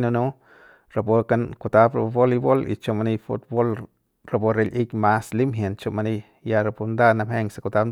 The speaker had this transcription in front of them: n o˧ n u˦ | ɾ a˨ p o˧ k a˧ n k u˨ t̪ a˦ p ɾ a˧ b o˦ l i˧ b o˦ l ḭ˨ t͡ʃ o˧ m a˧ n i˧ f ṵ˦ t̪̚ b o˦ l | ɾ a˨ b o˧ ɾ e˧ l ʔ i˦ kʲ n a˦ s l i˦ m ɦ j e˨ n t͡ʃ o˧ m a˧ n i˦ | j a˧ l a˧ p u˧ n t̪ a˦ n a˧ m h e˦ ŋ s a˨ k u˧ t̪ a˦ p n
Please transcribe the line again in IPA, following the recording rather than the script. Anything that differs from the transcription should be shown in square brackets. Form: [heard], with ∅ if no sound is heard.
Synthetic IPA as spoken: n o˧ n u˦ | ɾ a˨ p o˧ k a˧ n k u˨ t̪ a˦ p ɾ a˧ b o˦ l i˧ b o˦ l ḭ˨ t͡ʃ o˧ m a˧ n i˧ f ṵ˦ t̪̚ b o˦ l | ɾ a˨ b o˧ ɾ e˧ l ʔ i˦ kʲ [m] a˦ s l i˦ m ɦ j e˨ n t͡ʃ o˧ m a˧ n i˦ | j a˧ [ɾ] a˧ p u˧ n [d̪] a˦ n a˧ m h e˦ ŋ s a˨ k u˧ t̪ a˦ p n

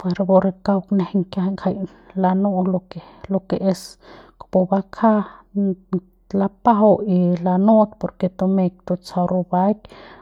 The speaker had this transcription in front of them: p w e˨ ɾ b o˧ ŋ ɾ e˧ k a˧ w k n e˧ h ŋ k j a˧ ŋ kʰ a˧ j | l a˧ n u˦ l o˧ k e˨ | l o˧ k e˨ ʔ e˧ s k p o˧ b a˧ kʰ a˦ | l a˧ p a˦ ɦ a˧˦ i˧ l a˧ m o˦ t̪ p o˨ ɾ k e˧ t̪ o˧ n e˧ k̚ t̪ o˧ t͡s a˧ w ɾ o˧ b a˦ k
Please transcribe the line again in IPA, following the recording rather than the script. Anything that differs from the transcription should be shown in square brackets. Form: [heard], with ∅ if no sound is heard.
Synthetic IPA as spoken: p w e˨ ɾ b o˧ [∅] ɾ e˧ k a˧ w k n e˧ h ŋ k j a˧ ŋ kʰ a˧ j | l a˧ n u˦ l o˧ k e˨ | l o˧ k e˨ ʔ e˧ s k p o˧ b a˧ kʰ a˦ | l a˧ p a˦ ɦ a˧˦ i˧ l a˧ [n] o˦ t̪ p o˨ ɾ k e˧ t̪ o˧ [m] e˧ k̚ t̪ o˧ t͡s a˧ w ɾ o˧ b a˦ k

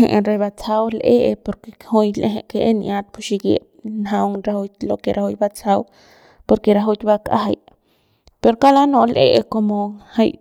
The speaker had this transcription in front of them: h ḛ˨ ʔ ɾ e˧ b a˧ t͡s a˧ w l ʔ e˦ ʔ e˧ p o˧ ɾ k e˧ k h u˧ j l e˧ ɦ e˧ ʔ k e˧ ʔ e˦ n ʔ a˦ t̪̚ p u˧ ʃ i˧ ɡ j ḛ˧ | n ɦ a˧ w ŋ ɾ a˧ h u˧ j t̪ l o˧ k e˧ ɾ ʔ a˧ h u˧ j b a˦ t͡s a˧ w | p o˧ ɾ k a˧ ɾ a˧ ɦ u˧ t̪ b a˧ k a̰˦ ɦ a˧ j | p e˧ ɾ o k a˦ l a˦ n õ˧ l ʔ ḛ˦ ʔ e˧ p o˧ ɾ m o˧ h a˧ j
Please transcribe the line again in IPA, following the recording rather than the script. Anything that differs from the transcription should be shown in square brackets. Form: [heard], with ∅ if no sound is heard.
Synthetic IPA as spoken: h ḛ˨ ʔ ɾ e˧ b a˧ t͡s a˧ w l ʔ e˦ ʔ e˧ p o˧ ɾ k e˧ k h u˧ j l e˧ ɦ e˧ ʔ k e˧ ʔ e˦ n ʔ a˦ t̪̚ p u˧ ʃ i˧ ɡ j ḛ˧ | n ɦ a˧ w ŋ ɾ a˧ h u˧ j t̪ l o˧ k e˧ ɾ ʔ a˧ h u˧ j b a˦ t͡s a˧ w | p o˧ ɾ k [e˧] ɾ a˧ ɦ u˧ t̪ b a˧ k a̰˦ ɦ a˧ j | p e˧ ɾ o k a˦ l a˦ n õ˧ l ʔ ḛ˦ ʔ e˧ [k] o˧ [∅] m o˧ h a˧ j

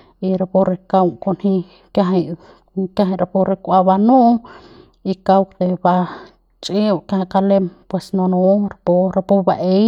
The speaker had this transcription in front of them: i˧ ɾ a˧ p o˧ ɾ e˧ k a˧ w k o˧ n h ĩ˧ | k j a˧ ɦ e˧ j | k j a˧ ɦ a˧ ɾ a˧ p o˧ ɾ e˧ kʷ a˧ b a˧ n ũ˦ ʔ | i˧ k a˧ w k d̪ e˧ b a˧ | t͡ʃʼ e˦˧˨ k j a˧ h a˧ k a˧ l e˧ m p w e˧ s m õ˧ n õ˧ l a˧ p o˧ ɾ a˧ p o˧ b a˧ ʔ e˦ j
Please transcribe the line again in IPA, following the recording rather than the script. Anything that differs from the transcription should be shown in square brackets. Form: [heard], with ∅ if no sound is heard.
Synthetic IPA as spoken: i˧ ɾ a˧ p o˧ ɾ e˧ k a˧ w k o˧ n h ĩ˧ | k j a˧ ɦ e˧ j | k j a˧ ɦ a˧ ɾ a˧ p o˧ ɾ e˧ kʷ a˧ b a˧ n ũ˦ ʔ | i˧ k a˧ w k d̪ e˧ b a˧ | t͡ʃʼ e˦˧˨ k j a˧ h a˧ k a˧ l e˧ m p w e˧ s [n] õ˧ n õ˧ [ɾ] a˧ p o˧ ɾ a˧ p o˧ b a˧ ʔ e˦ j

